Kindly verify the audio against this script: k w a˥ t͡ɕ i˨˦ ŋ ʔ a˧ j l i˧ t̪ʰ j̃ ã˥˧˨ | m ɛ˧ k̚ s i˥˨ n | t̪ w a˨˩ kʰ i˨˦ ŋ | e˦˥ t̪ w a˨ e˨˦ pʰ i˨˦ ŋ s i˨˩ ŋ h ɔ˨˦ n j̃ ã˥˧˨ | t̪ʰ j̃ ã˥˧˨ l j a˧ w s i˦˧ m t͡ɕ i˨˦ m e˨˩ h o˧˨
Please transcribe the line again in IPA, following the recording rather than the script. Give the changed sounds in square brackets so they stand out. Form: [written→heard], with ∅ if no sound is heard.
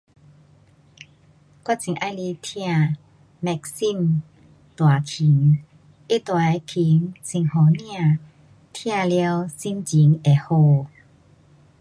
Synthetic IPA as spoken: k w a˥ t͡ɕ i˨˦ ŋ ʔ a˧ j l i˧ t̪ʰ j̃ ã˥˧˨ | m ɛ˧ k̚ s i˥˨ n | t̪ w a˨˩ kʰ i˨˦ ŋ | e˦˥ t̪ w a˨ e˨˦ [pʰ→kʰ] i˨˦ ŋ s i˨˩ ŋ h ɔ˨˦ n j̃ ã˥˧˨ | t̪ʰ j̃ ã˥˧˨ l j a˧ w s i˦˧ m t͡ɕ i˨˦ [m→ŋ] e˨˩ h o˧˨